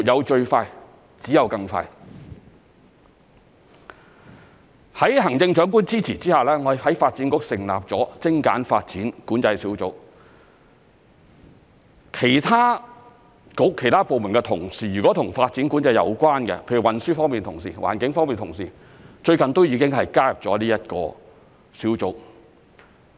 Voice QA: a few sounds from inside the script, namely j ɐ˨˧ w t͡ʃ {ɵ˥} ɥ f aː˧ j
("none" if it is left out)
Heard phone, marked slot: ɵ˧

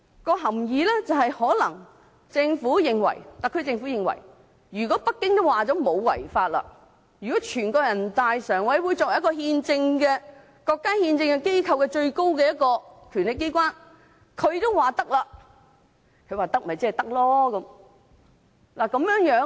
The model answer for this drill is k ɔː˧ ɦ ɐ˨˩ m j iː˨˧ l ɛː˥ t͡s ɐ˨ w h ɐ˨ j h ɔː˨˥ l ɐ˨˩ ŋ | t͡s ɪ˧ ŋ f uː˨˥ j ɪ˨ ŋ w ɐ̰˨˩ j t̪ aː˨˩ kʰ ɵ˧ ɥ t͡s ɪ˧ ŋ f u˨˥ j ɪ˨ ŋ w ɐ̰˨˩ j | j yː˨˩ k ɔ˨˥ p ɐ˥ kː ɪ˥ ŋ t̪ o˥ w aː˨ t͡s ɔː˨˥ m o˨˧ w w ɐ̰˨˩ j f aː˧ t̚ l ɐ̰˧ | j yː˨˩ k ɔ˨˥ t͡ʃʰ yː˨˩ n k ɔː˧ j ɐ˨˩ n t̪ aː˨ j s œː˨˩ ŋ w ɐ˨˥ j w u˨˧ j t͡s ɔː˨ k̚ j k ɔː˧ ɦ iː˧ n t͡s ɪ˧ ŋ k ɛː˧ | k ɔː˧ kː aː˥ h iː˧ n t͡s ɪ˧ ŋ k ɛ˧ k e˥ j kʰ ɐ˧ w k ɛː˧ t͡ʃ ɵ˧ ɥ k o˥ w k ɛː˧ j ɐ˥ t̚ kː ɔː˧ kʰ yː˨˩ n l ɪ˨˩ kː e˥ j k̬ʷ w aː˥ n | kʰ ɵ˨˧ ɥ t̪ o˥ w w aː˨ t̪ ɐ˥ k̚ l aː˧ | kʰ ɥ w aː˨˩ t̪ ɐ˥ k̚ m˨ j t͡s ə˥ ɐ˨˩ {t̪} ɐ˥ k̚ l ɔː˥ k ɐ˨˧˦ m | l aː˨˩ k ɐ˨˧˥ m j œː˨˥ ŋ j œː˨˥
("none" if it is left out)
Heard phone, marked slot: t̪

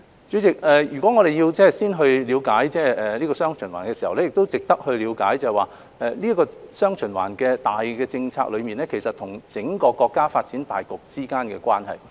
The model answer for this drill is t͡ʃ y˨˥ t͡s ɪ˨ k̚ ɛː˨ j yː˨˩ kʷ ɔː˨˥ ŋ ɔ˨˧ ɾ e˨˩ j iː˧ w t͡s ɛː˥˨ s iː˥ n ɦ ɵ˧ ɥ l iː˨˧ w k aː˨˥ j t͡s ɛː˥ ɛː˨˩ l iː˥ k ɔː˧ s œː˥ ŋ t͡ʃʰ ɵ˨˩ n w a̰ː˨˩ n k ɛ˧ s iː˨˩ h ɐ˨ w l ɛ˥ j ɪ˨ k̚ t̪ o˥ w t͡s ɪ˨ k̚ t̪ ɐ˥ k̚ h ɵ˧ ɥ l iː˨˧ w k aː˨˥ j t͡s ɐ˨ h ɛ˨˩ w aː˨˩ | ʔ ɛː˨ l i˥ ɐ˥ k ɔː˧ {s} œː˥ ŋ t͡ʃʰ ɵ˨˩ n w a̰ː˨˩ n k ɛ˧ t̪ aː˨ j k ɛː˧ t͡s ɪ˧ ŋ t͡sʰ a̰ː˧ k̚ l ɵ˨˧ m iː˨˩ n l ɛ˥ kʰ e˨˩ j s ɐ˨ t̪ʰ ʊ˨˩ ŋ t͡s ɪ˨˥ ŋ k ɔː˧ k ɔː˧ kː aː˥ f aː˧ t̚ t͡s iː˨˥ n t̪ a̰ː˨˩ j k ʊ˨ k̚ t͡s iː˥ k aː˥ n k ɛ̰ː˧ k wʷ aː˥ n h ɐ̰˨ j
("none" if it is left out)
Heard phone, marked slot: s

